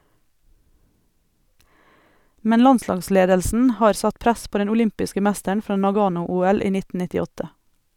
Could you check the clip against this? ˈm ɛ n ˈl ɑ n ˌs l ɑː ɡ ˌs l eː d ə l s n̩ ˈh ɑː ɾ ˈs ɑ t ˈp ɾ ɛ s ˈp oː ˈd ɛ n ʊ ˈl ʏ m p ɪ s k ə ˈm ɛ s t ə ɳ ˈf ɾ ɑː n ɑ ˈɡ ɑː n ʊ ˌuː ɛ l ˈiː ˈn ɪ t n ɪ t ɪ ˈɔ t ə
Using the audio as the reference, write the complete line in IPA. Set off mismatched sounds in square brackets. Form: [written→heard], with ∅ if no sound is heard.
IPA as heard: ˈm ɛ n ˈl ɑ n ˌs l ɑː ɡ ˌs l eː d ə l s n̩ ˈh ɑː ɾ ˈs ɑ t ˈp ɾ [ɛ→æ] s ˈp oː ˈd ɛ n ʊ ˈl ʏ m p ɪ s k ə ˈm [ɛ→æ] s t ə ɳ ˈf ɾ ɑː n ɑ ˈɡ ɑː n ʊ ˌuː ɛ l ˈiː ˈn ɪ t n ɪ t ɪ ˈɔ t ə